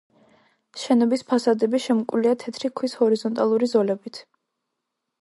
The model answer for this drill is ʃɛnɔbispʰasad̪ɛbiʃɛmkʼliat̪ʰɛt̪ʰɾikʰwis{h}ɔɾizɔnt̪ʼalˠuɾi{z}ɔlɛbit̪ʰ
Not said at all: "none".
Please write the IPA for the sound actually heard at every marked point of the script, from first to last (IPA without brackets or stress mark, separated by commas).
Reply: h, z